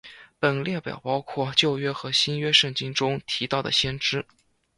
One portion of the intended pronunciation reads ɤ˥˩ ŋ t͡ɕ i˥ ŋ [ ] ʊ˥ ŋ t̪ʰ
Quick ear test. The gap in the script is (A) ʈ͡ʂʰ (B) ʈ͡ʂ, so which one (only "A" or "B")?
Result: B